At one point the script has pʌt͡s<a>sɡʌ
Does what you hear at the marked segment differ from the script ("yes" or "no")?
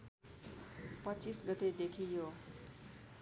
yes